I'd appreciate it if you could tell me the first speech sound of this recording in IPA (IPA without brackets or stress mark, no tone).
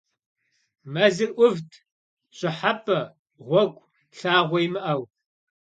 m